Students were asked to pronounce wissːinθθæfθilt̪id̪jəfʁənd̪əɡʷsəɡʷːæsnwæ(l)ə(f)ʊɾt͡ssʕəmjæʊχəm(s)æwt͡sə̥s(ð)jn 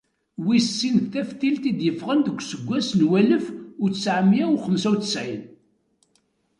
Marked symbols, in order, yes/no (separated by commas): yes, yes, yes, no